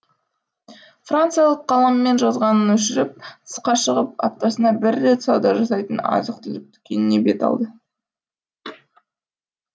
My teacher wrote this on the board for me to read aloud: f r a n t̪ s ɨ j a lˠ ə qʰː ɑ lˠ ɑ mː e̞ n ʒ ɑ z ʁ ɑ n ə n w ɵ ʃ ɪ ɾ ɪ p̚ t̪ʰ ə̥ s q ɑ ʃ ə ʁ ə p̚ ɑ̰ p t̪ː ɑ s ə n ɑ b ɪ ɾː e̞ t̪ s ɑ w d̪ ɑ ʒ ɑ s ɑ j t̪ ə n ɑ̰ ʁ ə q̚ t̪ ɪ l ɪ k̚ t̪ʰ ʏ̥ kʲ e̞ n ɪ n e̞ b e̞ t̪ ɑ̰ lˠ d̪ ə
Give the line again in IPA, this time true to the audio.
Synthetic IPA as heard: f r a n t̪ s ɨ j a lˠ ə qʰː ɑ lˠ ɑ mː e̞ n ʒ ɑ z ʁ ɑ n ə n w ɵ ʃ ɪ ɾ ɪ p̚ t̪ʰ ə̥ s q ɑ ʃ ə ʁ ə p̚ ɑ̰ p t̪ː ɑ s ə n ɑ b ɪ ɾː e̞ t̪ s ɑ w d̪ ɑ ʒ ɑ s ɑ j t̪ ə n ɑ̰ z ə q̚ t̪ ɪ l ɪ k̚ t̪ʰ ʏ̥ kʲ e̞ n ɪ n e̞ b e̞ t̪ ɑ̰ lˠ d̪ ə